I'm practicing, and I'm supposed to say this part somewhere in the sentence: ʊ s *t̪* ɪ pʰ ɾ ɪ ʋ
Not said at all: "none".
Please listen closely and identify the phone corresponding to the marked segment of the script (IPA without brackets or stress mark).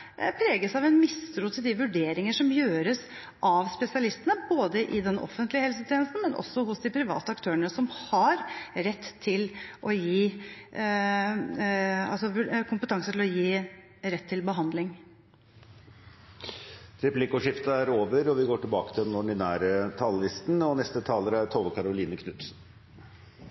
d̪